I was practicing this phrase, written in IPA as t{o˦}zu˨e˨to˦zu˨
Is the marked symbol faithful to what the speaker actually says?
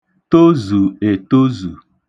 yes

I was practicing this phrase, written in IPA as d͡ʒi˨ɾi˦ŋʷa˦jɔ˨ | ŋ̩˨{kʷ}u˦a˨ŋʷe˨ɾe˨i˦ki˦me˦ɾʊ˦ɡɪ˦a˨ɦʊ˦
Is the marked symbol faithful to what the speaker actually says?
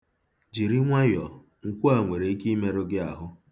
yes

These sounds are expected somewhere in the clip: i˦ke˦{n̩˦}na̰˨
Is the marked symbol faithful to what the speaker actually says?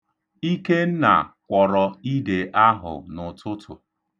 yes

